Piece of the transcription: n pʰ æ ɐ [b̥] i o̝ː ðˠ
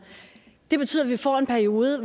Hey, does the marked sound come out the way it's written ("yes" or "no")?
no